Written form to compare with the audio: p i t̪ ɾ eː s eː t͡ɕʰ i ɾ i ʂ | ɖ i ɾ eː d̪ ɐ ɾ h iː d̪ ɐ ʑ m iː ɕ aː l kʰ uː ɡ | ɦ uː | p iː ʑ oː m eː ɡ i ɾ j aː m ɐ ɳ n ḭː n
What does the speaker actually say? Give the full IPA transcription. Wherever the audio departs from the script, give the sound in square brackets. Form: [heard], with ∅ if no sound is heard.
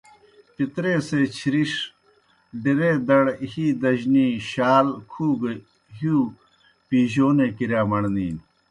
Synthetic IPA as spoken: p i t̪ ɾ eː s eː t͡ɕʰ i ɾ i ʂ | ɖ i ɾ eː d̪ ɐ [ɽ] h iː d̪ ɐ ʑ [n] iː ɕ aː l kʰ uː ɡ | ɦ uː | p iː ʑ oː [n] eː [k] i ɾ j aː m ɐ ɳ n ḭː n